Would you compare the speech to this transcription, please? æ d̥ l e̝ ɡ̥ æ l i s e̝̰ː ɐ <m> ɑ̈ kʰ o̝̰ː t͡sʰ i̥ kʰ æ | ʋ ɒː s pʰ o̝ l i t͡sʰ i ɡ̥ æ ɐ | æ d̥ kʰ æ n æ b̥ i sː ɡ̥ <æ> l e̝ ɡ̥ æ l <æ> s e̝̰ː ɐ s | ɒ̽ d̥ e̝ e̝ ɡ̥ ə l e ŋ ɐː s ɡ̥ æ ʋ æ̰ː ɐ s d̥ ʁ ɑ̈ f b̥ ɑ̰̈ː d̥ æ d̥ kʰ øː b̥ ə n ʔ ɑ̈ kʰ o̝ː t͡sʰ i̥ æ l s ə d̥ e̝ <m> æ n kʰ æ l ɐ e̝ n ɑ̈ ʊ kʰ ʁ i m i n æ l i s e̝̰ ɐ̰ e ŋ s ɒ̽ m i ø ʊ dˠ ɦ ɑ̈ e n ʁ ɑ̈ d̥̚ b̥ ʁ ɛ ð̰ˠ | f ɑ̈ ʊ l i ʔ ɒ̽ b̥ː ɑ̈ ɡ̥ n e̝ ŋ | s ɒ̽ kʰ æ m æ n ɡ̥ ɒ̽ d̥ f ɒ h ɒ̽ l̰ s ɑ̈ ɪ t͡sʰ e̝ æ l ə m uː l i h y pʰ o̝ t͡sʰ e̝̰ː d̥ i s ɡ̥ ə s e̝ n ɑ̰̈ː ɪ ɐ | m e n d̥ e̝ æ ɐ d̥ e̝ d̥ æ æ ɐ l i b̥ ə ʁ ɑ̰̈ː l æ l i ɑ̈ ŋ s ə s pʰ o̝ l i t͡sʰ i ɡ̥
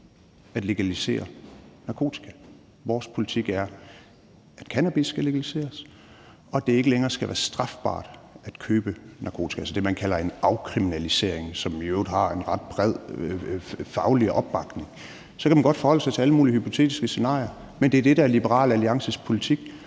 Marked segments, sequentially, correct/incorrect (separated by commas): incorrect, correct, incorrect, correct